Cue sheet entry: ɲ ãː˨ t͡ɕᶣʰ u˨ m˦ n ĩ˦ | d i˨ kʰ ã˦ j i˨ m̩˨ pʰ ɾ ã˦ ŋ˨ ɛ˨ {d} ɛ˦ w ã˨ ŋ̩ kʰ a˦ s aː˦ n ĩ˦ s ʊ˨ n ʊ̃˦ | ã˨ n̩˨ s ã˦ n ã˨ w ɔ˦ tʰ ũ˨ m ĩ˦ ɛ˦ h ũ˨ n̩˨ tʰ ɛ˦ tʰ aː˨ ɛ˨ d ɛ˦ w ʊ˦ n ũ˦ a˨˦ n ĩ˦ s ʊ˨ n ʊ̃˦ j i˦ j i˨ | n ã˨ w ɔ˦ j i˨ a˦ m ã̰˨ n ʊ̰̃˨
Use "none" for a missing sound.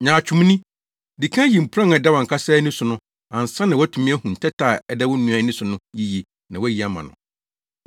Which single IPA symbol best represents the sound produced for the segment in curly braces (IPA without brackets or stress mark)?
d